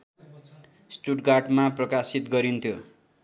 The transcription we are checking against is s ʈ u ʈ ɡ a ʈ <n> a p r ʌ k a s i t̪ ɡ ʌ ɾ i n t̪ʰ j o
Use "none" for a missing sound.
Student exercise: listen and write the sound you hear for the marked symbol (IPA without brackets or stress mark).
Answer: m